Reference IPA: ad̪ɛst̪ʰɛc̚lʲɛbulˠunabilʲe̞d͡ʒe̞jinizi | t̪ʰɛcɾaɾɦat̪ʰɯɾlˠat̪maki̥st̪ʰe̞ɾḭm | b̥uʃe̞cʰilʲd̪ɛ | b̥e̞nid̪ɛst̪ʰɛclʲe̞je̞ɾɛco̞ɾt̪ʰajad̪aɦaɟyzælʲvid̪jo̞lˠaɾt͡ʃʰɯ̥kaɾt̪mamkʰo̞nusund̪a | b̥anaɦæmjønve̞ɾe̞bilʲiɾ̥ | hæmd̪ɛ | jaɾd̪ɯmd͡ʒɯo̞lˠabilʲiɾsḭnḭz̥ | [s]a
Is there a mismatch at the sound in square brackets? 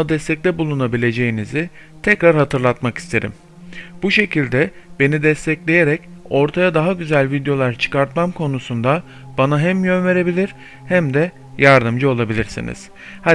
yes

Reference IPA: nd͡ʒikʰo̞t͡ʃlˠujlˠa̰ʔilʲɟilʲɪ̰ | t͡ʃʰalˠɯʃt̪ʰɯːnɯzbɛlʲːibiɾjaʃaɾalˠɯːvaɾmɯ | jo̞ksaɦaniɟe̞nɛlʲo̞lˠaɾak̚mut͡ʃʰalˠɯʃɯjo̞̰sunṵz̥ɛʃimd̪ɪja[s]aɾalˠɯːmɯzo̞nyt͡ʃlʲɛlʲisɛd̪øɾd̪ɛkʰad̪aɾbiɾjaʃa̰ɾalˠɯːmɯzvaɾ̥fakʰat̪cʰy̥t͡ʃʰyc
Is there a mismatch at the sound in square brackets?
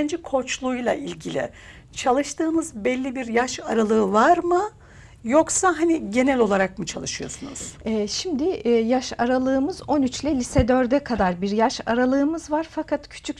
yes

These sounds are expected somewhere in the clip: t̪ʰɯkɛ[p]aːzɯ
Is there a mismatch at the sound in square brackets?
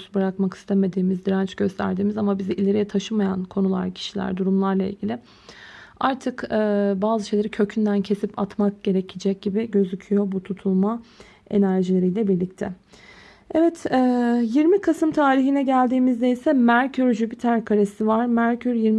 yes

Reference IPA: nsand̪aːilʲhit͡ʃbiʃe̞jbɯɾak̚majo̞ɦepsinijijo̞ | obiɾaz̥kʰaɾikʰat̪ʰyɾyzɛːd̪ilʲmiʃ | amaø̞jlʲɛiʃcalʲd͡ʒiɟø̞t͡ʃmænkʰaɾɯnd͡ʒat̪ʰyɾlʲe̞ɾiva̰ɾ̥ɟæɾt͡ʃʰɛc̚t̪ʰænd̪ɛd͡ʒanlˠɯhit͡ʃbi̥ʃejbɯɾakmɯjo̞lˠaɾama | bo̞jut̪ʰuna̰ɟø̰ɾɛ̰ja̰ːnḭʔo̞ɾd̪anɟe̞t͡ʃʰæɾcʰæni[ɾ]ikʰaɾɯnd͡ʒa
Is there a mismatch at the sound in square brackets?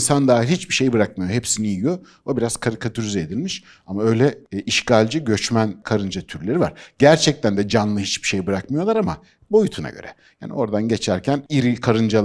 no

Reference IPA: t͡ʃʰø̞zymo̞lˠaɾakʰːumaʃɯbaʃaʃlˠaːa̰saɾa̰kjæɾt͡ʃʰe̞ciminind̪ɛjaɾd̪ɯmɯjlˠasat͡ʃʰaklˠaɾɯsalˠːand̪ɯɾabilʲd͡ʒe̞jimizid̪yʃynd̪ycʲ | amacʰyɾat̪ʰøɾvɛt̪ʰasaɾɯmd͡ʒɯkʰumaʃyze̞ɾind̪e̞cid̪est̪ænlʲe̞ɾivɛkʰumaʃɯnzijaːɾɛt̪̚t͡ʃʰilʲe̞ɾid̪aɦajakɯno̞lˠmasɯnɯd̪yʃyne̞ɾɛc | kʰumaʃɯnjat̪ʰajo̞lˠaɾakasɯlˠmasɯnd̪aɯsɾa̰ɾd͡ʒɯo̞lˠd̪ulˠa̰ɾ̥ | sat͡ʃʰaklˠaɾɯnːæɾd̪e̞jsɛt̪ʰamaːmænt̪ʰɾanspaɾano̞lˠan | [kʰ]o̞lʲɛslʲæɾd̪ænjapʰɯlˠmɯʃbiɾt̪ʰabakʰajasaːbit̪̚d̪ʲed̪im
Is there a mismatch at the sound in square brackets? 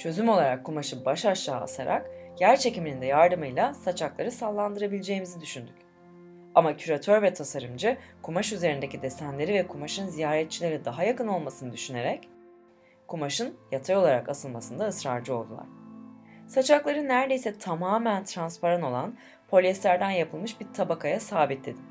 yes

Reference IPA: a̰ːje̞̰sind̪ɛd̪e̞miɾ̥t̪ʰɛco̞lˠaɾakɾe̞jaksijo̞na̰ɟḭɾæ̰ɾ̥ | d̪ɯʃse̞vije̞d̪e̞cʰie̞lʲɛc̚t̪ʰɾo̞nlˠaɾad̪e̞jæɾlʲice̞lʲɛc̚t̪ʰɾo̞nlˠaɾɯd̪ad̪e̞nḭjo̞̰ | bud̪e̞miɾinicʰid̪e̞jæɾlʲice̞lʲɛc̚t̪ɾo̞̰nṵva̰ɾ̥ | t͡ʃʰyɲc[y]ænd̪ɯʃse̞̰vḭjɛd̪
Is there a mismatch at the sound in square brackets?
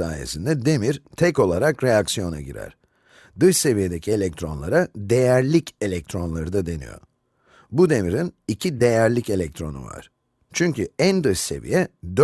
no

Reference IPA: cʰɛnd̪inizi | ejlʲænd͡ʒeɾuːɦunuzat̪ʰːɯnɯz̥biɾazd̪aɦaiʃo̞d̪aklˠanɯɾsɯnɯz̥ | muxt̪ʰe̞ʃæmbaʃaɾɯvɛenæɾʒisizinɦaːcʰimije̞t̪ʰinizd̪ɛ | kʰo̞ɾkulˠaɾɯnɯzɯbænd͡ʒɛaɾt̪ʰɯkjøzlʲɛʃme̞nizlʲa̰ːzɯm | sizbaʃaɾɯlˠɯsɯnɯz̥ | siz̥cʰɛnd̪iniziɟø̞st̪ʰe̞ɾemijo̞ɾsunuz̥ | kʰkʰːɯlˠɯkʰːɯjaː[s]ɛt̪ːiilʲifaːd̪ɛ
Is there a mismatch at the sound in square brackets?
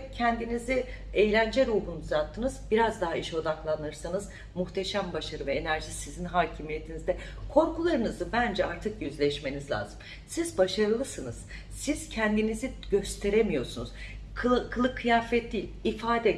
yes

